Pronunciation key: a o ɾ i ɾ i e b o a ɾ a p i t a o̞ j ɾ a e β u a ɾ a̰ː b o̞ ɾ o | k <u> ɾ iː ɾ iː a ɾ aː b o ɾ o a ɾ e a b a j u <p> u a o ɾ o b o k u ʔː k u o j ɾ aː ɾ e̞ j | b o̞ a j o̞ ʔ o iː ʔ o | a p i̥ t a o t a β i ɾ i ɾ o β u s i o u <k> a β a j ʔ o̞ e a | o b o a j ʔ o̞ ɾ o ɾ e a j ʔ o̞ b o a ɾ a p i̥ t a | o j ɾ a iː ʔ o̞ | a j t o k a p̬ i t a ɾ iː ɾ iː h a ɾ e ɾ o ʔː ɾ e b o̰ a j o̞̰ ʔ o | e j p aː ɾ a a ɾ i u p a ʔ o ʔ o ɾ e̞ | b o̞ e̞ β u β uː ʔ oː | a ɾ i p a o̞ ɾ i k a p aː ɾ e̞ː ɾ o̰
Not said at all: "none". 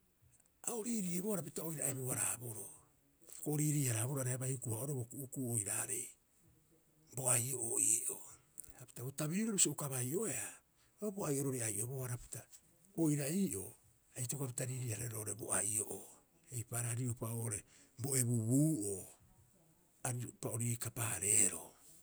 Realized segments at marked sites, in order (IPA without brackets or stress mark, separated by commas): o, k, k